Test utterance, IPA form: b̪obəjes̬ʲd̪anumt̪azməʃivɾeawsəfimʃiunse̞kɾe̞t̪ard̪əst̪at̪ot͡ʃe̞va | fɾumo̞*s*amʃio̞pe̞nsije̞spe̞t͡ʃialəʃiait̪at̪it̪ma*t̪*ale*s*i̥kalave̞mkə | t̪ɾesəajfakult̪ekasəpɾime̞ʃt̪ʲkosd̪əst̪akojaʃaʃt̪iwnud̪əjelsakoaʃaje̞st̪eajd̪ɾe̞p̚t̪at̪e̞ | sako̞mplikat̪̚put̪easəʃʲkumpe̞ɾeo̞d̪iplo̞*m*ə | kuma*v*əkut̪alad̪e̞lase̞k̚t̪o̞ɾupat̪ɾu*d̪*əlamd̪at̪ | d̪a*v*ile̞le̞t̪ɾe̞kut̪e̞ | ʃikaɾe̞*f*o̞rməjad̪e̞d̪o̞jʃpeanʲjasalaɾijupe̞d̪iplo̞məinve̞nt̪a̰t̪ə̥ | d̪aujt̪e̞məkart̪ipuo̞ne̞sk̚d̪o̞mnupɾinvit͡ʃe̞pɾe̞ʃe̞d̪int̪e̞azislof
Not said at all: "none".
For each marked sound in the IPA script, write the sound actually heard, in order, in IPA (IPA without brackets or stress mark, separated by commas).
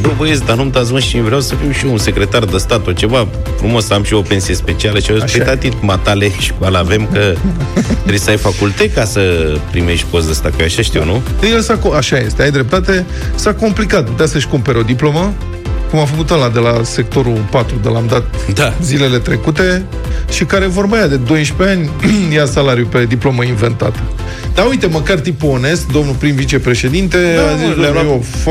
s, t̪, ʃ, m, f, d̪, z, v